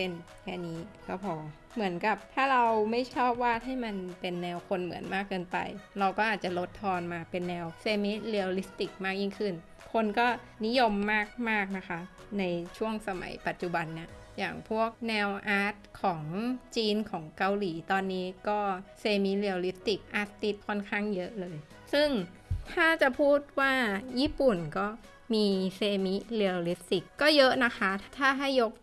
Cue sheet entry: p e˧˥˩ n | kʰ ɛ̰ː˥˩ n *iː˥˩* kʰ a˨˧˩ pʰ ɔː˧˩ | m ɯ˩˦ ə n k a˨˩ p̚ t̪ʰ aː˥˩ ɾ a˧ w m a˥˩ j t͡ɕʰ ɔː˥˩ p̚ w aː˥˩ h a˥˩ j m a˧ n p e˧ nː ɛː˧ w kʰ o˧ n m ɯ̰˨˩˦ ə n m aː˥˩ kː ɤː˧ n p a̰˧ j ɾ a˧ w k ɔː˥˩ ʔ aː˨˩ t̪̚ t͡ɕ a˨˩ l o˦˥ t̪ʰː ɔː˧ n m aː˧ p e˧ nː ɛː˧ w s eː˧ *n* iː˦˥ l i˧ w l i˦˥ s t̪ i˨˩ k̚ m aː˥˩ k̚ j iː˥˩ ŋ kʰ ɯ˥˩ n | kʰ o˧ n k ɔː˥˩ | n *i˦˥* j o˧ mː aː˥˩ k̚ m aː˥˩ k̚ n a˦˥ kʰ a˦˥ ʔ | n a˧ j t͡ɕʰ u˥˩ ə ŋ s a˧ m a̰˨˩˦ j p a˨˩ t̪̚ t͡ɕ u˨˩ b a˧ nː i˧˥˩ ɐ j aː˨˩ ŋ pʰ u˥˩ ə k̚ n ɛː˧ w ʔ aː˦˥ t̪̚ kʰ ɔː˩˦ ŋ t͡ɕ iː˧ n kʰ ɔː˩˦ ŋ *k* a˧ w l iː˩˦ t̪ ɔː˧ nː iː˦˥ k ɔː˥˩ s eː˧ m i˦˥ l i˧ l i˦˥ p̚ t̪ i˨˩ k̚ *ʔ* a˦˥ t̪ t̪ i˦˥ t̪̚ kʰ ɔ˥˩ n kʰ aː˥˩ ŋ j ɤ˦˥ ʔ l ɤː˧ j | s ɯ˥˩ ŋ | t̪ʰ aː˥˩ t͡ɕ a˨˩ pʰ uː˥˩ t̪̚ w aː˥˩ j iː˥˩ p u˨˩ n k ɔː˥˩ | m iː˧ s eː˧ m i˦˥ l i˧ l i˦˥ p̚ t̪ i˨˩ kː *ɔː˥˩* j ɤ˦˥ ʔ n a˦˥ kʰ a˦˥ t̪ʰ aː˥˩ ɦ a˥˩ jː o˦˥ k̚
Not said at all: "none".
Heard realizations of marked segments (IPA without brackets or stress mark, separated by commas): iː˦˥, m, i˦˥, k, ʔ, ɔː˥˩